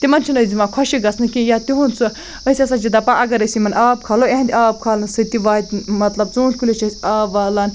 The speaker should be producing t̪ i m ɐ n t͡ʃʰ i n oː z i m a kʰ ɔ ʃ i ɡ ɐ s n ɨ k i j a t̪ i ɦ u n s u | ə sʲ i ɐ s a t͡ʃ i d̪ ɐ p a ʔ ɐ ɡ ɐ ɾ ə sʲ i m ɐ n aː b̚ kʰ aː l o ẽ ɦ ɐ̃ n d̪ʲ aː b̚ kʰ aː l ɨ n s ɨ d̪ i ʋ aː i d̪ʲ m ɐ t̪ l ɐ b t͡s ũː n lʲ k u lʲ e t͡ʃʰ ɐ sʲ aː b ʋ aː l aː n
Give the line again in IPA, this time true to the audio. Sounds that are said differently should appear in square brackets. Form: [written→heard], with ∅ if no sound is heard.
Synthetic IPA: t̪ i m ɐ n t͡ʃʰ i n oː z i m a kʰ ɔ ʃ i ɡ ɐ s n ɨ k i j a t̪ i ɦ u n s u | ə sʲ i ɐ s a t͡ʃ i d̪ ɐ p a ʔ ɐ ɡ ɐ ɾ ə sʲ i m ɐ n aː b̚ kʰ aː l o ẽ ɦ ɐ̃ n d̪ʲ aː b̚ kʰ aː l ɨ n s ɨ [d̪→t̪] i ʋ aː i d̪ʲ m ɐ t̪ l ɐ b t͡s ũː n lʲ k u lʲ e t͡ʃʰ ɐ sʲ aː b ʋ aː l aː n